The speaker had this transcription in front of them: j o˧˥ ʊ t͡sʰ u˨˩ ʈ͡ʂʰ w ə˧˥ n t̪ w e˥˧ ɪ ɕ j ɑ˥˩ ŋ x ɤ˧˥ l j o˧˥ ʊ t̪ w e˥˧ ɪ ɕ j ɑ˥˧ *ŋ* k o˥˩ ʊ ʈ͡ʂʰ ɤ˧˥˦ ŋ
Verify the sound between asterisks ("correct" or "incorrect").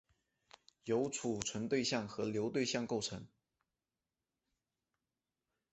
correct